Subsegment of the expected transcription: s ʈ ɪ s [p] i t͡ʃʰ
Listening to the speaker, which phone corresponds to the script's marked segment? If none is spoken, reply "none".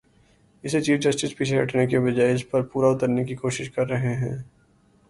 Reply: p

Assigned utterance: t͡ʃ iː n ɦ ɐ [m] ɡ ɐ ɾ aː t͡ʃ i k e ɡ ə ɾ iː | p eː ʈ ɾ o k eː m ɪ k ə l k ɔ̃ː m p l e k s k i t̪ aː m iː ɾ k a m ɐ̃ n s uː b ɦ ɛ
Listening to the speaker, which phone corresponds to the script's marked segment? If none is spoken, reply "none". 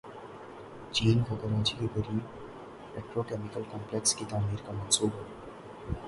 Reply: none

